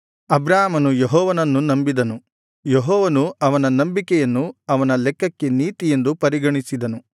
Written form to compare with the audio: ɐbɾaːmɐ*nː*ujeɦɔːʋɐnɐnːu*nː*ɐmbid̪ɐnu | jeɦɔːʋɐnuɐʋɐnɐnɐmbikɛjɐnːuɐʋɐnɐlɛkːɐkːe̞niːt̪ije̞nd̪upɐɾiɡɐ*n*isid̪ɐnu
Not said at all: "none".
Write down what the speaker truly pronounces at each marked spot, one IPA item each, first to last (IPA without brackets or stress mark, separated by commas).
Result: n, n, ɳ